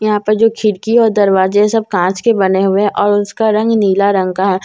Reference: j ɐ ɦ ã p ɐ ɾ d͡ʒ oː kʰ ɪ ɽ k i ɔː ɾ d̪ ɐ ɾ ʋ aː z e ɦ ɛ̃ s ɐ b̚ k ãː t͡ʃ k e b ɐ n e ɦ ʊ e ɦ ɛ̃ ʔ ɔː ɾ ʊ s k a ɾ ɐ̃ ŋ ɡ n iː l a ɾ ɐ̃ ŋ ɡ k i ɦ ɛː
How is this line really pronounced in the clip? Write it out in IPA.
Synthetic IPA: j ɐ ɦ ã p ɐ ɾ d͡ʒ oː kʰ ɪ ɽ k i ɔː ɾ d̪ ɐ ɾ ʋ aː z e ɦ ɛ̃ s ɐ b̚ k ãː t͡ʃ k e b ɐ n e ɦ ʊ e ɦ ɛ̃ ʔ ɔː ɾ ʊ s k a ɾ ɐ̃ ŋ ɡ n iː l a ɾ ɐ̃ ŋ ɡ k a ɦ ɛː